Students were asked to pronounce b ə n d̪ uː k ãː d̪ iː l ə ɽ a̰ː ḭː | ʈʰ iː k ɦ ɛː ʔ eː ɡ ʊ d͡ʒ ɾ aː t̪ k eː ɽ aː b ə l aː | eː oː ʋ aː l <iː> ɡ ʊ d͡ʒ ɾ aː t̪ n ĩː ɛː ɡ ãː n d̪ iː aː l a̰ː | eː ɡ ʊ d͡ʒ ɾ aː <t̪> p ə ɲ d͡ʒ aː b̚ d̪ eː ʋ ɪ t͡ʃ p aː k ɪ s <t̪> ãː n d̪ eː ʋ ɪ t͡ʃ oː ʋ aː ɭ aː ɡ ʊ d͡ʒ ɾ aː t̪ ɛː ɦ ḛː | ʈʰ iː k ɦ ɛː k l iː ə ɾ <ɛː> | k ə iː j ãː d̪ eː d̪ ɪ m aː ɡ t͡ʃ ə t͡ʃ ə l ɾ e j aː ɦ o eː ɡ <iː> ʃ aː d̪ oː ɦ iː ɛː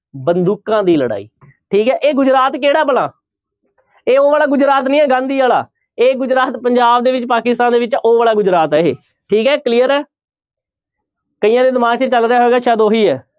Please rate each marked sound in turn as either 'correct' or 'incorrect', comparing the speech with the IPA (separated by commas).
incorrect, correct, correct, correct, incorrect